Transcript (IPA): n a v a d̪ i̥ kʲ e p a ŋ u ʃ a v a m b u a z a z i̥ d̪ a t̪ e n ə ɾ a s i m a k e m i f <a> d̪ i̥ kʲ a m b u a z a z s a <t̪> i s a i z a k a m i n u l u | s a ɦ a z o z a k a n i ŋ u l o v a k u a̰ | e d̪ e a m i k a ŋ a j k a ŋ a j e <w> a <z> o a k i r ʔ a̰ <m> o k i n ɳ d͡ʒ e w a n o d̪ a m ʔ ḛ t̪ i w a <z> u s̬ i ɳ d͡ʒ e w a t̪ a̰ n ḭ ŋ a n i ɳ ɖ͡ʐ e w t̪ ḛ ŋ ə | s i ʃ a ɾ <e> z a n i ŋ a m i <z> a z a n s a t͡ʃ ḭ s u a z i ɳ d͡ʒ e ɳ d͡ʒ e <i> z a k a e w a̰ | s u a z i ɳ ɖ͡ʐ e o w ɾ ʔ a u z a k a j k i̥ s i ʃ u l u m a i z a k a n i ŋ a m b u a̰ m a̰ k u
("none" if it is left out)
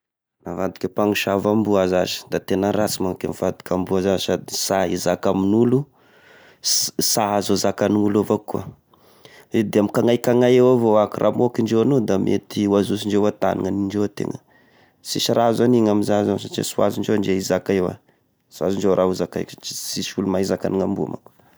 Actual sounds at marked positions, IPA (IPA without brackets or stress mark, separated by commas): a, d̪, w, v, m, z, a, z, i